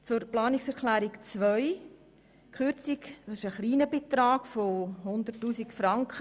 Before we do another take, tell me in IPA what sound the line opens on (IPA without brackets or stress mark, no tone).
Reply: t͡s